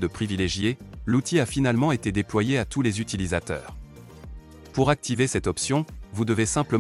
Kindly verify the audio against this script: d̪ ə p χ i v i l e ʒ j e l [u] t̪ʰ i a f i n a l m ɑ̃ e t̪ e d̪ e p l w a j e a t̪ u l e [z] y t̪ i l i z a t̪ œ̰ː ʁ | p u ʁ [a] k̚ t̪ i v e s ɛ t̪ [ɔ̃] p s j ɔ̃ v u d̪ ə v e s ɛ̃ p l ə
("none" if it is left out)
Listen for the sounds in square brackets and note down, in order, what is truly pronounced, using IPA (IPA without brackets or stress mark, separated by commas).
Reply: u, z, a, ɔ